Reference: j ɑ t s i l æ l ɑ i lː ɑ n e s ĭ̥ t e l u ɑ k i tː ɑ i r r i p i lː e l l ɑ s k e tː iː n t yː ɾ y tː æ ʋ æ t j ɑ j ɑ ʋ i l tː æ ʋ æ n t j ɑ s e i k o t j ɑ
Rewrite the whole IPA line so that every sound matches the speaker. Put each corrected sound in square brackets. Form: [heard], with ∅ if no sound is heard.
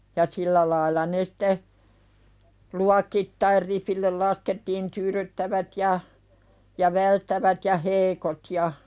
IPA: j ɑ [∅] s i [lː] æ l ɑ i lː ɑ n e s ĭ̥ t e l u ɑ k i tː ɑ i r r i p i lː e l l ɑ s k e tː iː n t yː ɾ y tː æ ʋ æ t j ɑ j ɑ ʋ [æ] l tː æ ʋ æ [∅] t j ɑ [h] e i k o t j ɑ